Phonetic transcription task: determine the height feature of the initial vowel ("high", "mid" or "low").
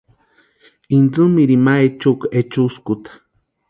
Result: high